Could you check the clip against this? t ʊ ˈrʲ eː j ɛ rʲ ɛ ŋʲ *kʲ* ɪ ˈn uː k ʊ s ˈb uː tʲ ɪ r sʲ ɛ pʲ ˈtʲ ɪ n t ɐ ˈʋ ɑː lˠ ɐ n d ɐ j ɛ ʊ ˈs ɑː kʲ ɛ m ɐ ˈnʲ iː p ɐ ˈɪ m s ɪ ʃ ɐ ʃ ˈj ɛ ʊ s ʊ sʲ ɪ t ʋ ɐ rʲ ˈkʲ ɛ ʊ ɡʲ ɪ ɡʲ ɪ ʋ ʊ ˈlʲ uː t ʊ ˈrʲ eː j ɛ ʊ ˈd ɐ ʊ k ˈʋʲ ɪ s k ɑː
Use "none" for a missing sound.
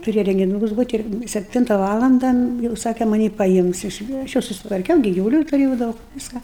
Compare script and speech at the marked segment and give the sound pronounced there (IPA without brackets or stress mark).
ɡʲ